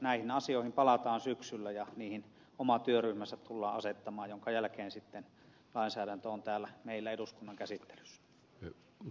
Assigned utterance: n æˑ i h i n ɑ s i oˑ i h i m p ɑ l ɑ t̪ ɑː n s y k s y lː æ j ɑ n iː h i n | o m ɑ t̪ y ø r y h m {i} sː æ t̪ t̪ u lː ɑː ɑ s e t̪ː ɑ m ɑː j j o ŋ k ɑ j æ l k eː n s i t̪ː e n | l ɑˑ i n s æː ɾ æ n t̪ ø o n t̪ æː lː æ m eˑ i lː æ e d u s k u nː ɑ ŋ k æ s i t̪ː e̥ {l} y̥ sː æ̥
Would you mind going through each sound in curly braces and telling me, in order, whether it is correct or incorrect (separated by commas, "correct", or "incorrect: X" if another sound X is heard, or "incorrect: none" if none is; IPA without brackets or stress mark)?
incorrect: æ, correct